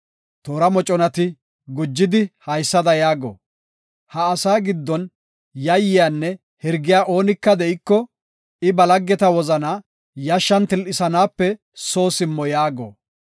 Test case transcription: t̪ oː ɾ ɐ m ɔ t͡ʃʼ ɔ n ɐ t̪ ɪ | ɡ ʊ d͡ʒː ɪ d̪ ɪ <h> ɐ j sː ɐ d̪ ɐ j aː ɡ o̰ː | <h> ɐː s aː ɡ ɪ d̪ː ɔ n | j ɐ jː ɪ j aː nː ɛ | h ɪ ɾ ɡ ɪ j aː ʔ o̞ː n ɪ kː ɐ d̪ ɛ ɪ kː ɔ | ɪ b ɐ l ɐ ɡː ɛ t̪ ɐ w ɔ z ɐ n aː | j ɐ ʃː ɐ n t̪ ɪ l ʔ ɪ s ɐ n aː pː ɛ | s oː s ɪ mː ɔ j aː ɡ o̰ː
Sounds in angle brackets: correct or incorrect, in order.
correct, correct

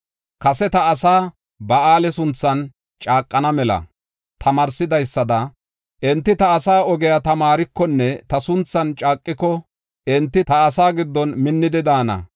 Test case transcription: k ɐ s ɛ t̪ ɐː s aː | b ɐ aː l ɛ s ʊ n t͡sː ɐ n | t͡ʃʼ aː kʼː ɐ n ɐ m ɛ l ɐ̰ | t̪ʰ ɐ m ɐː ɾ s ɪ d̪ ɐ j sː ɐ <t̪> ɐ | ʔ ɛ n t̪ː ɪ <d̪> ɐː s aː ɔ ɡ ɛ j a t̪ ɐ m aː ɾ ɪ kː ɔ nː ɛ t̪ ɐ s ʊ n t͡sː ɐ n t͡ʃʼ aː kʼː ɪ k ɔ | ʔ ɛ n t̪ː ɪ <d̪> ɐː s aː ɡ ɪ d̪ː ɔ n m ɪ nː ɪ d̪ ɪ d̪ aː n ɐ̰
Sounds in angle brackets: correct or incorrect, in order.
incorrect, incorrect, incorrect

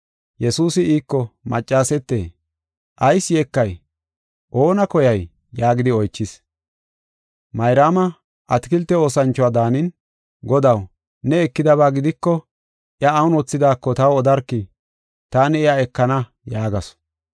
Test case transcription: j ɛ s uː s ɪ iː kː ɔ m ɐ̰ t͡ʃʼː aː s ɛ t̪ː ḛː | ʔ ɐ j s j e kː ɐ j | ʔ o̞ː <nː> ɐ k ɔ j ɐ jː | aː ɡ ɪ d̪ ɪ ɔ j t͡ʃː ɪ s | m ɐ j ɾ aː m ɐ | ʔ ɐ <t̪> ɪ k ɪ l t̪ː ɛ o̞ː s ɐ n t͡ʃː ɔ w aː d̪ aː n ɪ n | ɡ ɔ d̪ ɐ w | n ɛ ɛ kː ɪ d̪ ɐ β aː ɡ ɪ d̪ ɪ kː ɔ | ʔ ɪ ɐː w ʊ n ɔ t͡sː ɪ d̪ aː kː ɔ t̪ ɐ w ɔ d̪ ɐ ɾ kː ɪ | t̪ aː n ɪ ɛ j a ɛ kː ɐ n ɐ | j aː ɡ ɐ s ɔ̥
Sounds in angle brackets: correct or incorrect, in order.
incorrect, correct

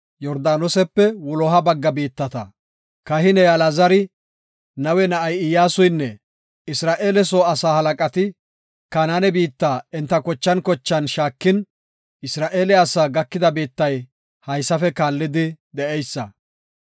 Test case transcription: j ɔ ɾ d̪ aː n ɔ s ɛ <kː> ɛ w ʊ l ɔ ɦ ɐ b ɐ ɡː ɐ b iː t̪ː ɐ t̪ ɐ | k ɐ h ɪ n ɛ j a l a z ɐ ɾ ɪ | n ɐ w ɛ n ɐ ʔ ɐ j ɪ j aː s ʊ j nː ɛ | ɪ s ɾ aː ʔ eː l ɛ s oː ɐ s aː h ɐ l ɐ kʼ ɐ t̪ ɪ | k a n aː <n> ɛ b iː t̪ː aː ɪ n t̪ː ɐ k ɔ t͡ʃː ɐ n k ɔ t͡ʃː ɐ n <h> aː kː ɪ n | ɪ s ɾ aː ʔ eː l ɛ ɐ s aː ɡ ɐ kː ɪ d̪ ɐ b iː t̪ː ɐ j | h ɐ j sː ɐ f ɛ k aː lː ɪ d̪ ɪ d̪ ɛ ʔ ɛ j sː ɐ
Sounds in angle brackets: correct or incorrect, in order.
incorrect, correct, incorrect

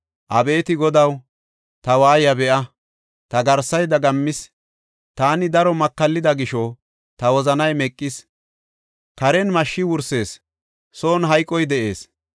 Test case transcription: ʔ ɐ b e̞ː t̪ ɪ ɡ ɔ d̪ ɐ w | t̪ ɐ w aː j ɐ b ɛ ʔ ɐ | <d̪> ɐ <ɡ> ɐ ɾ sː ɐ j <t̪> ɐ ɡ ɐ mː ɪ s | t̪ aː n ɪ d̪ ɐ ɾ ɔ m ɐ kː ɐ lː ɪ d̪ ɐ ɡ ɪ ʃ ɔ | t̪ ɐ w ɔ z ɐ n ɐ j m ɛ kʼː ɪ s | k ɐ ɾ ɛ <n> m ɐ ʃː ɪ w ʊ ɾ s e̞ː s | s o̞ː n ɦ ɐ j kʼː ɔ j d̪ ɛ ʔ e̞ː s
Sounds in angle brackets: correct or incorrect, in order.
incorrect, correct, incorrect, correct

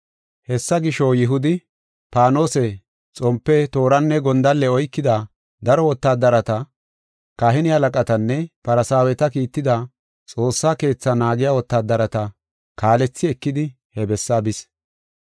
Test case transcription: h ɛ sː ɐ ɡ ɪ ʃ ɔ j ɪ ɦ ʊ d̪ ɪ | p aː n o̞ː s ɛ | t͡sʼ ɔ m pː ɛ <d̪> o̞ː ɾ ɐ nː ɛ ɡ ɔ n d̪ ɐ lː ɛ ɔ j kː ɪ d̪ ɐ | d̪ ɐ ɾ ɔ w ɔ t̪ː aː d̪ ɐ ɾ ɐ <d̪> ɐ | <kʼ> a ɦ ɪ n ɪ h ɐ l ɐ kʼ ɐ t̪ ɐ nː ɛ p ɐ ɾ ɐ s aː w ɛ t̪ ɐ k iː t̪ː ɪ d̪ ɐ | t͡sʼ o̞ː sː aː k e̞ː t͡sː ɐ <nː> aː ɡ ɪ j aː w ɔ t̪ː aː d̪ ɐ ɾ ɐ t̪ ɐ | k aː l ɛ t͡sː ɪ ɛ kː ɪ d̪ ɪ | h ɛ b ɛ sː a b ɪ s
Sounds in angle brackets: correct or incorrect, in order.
incorrect, incorrect, incorrect, incorrect

